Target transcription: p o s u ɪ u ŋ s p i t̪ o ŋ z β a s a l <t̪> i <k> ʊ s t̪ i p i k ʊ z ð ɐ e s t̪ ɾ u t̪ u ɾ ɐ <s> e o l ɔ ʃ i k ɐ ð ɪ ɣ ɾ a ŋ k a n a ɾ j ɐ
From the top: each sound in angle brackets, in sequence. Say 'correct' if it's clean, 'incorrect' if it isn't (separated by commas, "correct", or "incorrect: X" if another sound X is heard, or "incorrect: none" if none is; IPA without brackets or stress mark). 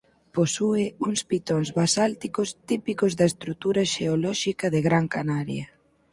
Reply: correct, correct, incorrect: ʃ